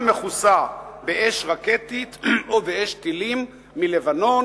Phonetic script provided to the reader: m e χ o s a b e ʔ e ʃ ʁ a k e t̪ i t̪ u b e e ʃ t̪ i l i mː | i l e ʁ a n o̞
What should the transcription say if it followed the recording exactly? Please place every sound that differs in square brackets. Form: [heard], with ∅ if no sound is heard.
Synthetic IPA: m e χ [u] s a b e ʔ e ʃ ʁ a k e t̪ i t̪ [o] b e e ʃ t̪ i l i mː | i l e [v] a n o̞